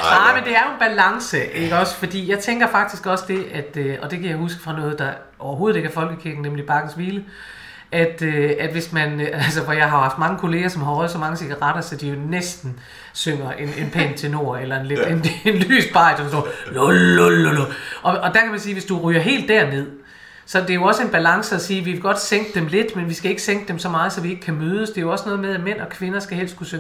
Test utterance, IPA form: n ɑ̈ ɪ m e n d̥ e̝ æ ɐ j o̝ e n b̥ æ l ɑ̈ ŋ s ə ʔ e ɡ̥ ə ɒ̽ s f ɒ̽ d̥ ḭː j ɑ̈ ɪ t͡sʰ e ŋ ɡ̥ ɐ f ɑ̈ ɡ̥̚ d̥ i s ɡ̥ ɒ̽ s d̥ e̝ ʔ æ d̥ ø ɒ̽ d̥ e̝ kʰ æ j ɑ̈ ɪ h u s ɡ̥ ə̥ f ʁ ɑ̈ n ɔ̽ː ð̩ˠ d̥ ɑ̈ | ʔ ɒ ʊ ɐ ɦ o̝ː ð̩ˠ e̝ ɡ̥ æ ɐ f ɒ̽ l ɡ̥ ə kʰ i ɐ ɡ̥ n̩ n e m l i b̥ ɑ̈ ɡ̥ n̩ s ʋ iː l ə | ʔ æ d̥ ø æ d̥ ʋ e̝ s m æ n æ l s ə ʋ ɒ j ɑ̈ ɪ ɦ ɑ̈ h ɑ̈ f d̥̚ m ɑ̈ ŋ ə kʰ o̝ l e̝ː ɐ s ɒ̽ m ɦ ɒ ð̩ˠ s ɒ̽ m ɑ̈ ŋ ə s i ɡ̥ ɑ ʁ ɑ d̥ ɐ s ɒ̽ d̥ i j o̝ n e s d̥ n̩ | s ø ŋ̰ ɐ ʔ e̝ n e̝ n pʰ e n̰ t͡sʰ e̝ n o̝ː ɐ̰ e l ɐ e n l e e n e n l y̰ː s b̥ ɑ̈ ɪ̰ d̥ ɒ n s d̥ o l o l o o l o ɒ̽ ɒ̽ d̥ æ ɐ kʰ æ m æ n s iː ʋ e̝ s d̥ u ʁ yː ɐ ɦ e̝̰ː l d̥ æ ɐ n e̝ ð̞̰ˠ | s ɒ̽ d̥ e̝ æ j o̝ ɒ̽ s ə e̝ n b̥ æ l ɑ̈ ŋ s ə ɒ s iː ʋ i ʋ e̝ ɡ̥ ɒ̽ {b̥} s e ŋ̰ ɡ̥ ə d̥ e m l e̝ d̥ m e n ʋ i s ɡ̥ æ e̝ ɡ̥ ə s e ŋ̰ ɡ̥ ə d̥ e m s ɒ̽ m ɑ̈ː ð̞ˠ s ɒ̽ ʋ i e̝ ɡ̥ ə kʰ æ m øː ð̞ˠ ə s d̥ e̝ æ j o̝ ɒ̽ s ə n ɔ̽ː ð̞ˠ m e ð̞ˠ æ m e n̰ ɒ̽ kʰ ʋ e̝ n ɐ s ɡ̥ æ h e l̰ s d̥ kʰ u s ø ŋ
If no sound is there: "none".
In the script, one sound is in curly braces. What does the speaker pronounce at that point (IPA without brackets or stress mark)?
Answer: d̥